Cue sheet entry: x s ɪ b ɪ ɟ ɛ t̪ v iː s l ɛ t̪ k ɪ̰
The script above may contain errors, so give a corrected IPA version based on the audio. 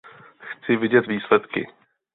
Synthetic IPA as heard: x t͡s ɪ v ɪ ɟ ɛ t̪ v iː s l ɛ t̪ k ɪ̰

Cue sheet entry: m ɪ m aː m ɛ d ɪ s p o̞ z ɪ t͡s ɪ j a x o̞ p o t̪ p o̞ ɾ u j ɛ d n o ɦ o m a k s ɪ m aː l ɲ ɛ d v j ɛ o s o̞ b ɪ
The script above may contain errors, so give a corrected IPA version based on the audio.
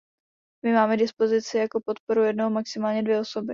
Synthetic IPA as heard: m ɪ m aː m ɛ d ɪ s p o̞ z ɪ t͡s ɪ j a k o̞ p o t̪ p o̞ ɾ u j ɛ d n o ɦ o m a k s ɪ m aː l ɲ ɛ d v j ɛ o s o̞ b ɪ

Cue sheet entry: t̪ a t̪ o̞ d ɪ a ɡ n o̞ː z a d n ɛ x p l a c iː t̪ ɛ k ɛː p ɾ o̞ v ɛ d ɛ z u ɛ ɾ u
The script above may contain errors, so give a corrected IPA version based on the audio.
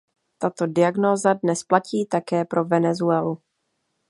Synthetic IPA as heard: t̪ a t̪ o̞ d ɪ a ɡ n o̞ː z a d n ɛ s p l a c iː t̪ a k ɛː p ɾ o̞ v ɛ n ɛ z u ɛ l u

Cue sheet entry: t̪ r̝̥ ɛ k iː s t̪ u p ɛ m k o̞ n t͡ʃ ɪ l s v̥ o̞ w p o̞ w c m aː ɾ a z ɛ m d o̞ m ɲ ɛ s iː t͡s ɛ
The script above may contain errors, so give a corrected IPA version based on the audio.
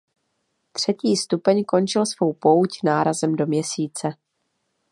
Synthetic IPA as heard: t̪ r̝̥ ɛ c iː s t̪ u p ɛ ɲ k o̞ n t͡ʃ ɪ l s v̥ o̞ w p o̞ w c n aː ɾ a z ɛ m d o̞ m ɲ ɛ s iː t͡s ɛ

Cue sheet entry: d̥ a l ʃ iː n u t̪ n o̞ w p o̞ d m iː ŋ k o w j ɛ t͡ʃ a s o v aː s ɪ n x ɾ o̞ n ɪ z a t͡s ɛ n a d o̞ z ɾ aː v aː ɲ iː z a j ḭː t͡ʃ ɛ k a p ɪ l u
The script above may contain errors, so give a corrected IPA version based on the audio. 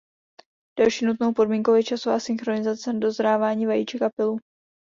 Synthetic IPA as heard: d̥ a l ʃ iː n u t̪ n o̞ w p o̞ d m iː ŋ k o w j ɛ t͡ʃ a s o v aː s ɪ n x ɾ o̞ n ɪ z a t͡s ɛ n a d o̞ z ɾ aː v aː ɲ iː v a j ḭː t͡ʃ ɛ k a p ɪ l u

